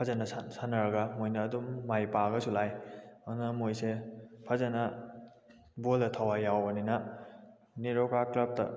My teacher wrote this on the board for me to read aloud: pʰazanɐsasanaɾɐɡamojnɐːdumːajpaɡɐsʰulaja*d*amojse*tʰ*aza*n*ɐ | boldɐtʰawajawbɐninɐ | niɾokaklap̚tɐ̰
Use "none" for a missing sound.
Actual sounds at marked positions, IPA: n, pʰ, n

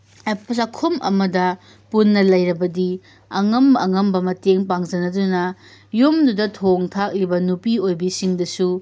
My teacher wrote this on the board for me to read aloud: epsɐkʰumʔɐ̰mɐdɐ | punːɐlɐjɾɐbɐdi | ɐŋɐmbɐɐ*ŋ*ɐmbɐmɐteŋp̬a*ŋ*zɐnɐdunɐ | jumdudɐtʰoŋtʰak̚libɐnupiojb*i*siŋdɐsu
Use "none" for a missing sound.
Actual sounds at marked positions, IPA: ŋ, ŋ, i

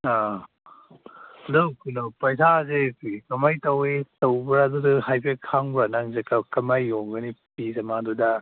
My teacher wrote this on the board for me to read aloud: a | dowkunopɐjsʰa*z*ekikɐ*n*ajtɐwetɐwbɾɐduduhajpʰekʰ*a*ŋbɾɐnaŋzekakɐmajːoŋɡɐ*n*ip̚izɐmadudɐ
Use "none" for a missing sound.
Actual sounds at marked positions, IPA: z, m, a, n

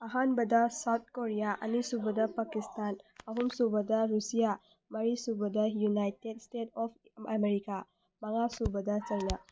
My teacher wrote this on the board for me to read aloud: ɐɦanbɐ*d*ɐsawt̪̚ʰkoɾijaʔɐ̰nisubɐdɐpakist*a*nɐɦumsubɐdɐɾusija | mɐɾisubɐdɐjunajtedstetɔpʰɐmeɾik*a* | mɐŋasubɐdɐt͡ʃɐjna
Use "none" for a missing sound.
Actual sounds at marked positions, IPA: d, a, a

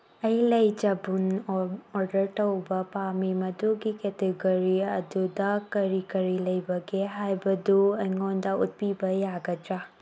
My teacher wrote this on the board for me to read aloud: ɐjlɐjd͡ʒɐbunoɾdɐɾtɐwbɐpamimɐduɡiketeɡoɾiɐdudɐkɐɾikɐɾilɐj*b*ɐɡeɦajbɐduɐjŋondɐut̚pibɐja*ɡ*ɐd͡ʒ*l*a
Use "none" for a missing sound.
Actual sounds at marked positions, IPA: b, ɡ, ɾ

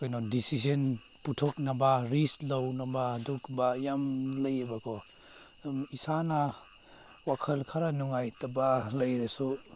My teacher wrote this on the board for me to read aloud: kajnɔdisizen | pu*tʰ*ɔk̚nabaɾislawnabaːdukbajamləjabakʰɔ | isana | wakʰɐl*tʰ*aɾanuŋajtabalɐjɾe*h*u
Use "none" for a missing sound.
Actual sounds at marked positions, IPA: tʰ, kʰ, s

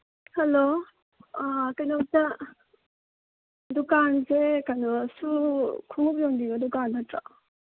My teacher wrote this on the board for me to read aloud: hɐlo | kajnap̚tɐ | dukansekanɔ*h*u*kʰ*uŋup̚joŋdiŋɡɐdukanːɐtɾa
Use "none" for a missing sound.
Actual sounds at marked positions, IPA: s, kʰ

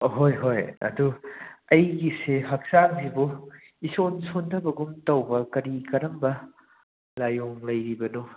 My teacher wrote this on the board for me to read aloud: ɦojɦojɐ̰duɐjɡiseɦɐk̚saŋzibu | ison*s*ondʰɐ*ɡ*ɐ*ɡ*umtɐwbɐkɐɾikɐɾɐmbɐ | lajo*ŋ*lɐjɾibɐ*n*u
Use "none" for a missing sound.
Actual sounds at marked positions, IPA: s, b, ɡ, ŋ, n

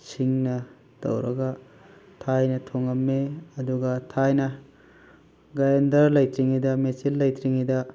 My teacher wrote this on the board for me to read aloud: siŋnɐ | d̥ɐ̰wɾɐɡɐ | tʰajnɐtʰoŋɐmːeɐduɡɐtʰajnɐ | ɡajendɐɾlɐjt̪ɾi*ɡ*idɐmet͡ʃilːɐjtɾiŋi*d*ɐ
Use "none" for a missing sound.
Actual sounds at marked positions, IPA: ŋ, d

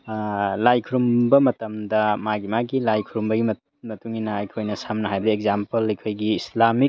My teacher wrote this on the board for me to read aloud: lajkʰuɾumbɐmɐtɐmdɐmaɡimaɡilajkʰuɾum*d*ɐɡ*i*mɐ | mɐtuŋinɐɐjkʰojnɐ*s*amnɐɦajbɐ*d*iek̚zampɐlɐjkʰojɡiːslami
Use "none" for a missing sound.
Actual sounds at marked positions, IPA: b, i, s, d

